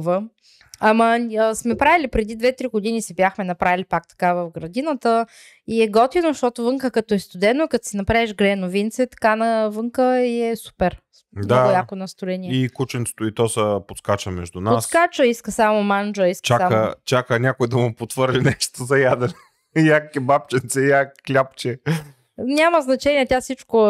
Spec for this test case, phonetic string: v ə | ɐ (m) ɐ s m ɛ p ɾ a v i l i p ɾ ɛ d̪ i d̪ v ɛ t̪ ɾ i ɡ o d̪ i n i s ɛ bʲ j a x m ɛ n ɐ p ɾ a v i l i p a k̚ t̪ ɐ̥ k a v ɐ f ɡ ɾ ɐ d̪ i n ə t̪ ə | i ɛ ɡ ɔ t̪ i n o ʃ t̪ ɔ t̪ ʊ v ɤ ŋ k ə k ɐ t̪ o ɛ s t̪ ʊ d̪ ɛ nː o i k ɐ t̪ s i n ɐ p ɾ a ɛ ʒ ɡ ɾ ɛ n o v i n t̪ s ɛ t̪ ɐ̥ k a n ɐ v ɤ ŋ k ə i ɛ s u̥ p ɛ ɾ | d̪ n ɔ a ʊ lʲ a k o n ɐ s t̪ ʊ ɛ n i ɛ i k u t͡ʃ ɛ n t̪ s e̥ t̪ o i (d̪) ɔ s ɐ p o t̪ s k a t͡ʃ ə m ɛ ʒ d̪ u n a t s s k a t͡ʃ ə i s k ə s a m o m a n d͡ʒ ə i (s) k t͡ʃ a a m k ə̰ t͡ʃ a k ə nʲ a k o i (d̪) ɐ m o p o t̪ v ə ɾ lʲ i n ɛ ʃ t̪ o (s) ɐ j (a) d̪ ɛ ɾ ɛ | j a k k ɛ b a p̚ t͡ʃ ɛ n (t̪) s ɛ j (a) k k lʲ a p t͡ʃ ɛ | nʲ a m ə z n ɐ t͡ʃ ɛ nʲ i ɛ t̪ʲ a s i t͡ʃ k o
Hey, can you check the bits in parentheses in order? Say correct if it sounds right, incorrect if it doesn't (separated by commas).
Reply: correct, incorrect, correct, correct, incorrect, correct, correct, correct